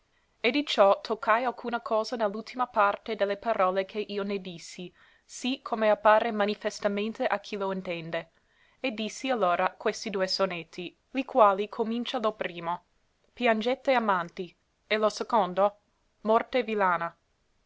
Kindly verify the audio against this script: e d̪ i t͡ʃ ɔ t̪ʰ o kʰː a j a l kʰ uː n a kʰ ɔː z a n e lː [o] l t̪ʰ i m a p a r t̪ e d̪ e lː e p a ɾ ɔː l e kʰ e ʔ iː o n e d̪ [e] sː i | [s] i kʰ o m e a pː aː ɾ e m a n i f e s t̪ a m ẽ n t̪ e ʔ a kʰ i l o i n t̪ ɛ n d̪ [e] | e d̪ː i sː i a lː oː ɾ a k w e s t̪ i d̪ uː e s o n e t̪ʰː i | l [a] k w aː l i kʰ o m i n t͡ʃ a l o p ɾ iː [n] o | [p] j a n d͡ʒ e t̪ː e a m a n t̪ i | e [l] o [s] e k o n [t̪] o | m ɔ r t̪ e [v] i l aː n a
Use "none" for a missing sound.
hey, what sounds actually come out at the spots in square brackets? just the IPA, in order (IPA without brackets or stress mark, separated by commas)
u, i, s, e, i, m, p, l, s, d̪, v